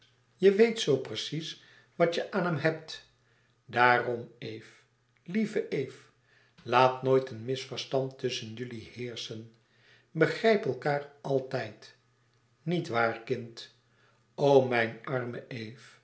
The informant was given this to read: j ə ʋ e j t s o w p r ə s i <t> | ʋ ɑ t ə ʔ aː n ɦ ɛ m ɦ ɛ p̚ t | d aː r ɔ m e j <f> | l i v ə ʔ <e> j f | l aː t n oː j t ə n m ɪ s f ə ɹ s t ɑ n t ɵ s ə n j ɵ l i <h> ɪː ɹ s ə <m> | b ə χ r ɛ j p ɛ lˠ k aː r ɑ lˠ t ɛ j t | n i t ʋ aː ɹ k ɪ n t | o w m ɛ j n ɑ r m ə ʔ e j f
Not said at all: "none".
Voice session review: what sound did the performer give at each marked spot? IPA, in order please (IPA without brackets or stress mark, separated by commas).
s, f, e, h, n